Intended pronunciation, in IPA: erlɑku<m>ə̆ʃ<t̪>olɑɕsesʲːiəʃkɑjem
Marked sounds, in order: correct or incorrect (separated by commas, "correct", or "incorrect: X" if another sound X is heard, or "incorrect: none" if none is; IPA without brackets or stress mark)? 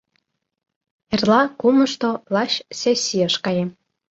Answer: correct, correct